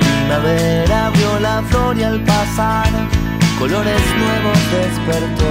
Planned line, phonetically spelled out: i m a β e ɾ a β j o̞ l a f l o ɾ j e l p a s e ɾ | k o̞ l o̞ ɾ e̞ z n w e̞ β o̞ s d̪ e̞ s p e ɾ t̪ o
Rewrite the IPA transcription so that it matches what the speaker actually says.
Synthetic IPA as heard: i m a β e ɾ a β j o̞ l a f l o ɾ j a l p a s a ɾ | k o̞ l o̞ ɾ e̞ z n w e̞ β o̞ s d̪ e̞ s p e ɾ t̪ o